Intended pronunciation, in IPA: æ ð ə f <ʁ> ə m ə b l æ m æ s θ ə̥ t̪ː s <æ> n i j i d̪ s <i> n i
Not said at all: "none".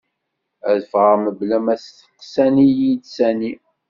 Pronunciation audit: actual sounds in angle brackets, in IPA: ʁ, æ, æ

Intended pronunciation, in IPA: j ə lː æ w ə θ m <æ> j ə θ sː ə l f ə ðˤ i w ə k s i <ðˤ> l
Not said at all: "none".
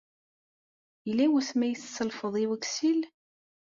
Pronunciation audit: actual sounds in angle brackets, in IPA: æ, none

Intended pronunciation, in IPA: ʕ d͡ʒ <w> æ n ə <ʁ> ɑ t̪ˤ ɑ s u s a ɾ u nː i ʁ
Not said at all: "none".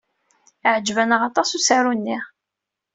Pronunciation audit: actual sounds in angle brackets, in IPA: v, ʁ

